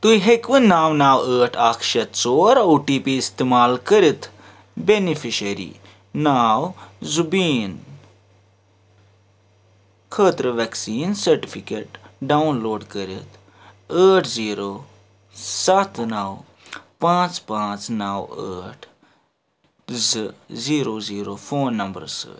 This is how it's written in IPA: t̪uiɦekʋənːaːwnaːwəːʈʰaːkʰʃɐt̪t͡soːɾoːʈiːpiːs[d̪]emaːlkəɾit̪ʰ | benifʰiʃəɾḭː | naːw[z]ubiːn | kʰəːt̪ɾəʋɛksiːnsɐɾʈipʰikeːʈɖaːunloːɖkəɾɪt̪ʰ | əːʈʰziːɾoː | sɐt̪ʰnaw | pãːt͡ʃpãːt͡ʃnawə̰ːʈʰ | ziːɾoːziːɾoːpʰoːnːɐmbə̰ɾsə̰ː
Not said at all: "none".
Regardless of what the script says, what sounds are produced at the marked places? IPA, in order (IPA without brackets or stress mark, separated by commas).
t̪, z